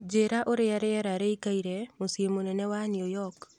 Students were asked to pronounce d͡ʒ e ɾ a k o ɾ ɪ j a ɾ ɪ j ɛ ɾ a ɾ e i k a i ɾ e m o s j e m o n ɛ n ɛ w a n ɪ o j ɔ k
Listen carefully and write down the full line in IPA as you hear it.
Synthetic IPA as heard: d͡ʒ e ɾ a ʔ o ɾ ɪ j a ɾ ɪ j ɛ ɾ a ɾ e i k a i ɾ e m o s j e m o n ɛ n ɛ w a n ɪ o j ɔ k